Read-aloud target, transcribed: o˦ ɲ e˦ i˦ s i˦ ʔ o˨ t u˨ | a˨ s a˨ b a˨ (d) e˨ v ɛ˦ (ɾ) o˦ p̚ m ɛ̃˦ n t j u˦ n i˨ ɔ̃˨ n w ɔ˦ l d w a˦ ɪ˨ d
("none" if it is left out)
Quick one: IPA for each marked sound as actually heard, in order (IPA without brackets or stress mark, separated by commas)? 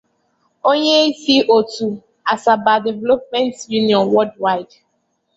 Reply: d, l